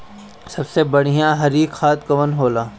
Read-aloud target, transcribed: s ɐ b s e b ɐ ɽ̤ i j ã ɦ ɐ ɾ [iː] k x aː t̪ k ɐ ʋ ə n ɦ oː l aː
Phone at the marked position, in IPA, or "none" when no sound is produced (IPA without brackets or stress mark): iː